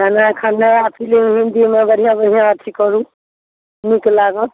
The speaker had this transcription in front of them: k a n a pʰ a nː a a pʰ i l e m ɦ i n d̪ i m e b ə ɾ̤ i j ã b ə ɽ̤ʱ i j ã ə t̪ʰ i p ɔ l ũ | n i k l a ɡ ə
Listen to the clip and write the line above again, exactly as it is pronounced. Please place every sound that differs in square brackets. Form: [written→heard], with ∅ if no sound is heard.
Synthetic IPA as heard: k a n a [pʰ→kʰ] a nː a a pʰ i l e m ɦ i n d̪ i m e b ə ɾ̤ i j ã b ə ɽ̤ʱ i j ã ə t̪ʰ i [p→k] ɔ [l→ɾ] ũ | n i k l a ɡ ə